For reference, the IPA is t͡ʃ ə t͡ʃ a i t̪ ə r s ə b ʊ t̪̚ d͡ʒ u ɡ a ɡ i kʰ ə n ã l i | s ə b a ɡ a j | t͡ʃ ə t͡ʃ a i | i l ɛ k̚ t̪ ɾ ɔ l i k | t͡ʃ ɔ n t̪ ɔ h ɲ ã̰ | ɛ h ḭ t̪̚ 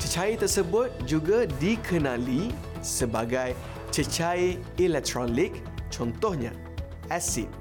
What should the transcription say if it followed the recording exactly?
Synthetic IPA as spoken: t͡ʃ ə t͡ʃ a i t̪ ə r s ə b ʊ t̪̚ d͡ʒ u ɡ a d i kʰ ə n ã l i | s ə b a ɡ a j | t͡ʃ ə t͡ʃ a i | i l ɛ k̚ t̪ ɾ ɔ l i k | t͡ʃ ɔ n t̪ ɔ h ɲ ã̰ | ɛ s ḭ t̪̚